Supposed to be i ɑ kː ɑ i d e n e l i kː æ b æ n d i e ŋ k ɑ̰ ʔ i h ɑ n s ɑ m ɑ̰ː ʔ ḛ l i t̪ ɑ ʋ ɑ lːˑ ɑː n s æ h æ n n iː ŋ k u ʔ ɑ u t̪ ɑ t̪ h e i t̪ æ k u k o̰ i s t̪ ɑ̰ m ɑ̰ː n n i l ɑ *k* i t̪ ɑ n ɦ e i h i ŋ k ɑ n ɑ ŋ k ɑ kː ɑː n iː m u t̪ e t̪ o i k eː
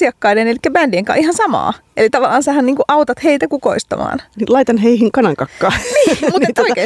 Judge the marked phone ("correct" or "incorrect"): incorrect